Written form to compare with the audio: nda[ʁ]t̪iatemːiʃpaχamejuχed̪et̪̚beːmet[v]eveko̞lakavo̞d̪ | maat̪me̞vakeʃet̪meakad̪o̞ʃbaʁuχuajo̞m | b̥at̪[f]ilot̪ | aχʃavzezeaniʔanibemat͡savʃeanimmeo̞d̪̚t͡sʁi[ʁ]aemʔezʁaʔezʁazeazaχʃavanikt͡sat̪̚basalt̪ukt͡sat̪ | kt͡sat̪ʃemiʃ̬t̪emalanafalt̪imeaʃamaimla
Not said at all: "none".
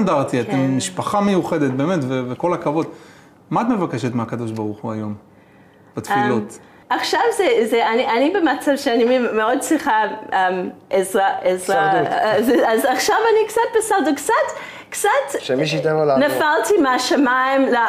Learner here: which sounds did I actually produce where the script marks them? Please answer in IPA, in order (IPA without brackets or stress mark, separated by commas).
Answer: ʁ, v, f, χ